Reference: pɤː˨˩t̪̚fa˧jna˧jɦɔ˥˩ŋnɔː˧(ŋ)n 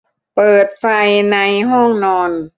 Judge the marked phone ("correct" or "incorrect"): incorrect